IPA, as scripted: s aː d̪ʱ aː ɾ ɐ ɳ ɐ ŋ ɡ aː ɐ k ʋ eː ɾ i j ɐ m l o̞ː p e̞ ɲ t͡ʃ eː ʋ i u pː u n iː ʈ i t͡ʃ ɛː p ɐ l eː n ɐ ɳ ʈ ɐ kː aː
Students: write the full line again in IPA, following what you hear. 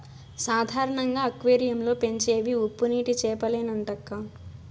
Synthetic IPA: s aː d̪ʱ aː ɾ ɐ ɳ ɐ ŋ ɡ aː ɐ k ʋ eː ɾ i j ɐ m l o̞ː p e̞ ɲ t͡ʃ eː ʋ i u pː u n iː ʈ i t͡ʃ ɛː p ɐ l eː n ɐ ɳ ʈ ɐ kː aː